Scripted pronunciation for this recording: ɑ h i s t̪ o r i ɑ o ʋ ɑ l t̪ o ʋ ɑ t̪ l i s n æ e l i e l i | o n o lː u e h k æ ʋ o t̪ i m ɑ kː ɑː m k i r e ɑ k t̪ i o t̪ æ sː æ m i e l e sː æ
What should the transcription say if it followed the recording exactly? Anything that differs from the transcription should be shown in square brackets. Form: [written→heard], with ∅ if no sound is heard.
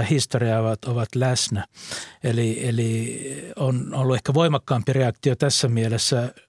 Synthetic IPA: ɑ h i s t̪ o r i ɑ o ʋ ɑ [l→∅] t̪ o ʋ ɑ t̪ l [i→æ] s n æ e l i e l i | o n o lː u e h k æ ʋ o [t̪→∅] i m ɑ kː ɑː m [k→p] i r e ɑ k t̪ i o t̪ æ sː æ m i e l e sː æ